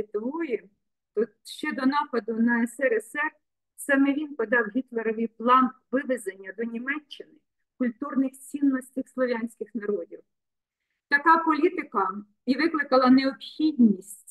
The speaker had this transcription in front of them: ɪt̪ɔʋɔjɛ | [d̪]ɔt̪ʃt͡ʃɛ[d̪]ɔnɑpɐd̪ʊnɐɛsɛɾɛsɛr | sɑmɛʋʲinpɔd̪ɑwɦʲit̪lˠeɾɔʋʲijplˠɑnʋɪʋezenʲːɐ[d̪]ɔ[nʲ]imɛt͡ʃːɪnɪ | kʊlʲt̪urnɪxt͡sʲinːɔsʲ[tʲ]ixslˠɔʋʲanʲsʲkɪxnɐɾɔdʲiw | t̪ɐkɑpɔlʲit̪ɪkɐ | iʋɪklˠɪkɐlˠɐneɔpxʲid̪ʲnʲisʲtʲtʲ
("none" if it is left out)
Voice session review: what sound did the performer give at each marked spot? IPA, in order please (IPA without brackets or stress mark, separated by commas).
t̪, d̪, d̪, nʲ, tʲ